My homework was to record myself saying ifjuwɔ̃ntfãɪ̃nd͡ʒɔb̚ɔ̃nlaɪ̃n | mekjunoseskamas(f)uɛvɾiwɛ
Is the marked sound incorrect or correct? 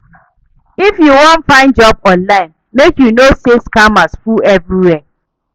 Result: correct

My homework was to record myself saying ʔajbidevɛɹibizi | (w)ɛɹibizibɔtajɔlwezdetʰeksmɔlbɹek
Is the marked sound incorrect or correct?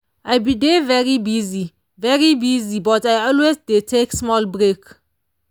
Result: incorrect: v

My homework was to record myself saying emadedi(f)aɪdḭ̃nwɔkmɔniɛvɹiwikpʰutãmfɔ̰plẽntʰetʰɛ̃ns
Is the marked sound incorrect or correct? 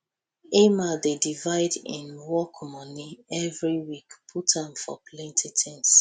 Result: incorrect: v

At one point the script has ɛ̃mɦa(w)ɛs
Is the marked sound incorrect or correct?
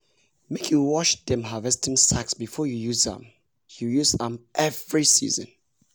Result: incorrect: v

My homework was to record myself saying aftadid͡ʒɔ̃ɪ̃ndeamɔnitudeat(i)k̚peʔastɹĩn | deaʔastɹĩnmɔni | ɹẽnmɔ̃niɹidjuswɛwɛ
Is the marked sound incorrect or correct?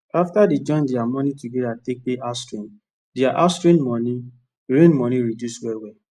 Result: incorrect: e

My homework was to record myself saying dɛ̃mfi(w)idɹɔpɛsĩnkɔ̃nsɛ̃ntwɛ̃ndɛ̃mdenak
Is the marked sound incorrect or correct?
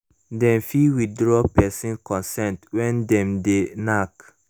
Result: correct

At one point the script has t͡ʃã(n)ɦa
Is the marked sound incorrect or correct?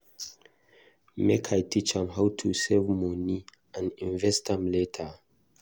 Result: incorrect: m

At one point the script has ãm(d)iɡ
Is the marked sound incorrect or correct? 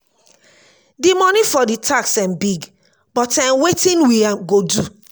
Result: incorrect: b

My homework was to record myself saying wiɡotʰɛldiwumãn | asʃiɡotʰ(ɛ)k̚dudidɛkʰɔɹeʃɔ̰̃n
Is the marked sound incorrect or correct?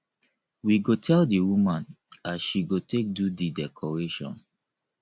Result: incorrect: e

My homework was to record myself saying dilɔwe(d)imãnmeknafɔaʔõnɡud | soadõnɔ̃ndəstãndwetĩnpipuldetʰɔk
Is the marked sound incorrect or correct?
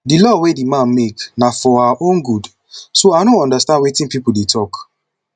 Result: correct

